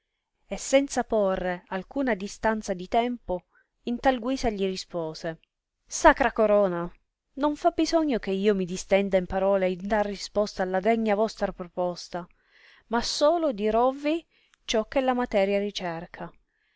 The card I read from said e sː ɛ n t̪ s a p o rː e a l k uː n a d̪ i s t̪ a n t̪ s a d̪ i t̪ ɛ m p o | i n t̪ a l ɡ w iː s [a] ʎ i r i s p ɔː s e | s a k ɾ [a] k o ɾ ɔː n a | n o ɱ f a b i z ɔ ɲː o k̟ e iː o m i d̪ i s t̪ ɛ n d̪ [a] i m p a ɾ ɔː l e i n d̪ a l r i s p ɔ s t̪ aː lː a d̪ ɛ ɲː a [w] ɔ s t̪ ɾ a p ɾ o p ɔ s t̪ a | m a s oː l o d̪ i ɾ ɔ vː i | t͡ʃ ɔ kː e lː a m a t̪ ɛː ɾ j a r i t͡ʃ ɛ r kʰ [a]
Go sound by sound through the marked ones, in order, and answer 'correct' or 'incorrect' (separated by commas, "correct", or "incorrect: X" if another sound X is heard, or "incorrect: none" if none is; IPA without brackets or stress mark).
correct, correct, correct, incorrect: v, correct